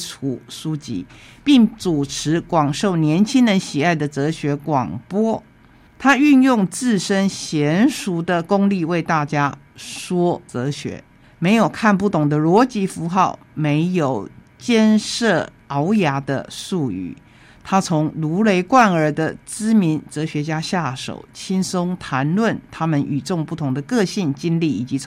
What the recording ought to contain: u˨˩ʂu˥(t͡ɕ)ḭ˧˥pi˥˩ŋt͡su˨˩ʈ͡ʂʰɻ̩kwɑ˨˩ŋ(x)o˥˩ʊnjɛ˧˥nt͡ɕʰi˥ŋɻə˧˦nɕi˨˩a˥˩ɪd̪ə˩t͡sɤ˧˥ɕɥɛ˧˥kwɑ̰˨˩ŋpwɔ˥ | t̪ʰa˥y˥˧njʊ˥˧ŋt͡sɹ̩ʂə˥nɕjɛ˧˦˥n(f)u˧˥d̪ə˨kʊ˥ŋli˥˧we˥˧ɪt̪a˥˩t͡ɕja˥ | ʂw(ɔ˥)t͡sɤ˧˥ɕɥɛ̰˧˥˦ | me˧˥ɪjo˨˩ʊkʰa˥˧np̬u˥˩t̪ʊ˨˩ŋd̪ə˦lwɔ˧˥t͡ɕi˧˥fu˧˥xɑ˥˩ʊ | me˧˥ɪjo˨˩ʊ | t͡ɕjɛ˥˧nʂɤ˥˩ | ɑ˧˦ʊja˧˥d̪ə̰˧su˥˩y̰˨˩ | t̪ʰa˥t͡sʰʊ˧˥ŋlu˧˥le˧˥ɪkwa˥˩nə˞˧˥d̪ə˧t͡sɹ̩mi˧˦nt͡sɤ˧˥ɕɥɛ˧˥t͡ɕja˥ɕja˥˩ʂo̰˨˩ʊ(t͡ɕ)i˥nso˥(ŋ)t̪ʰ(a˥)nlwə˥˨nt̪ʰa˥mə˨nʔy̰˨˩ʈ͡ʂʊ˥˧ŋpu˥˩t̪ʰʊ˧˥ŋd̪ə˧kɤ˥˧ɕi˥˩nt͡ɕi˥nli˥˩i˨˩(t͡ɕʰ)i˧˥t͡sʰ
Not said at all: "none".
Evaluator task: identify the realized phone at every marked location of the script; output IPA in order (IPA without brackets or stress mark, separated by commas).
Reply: t͡ɕ, ʂ, ʂ, ɔ˥, t͡ɕʰ, ŋ, a˧˥, t͡ɕ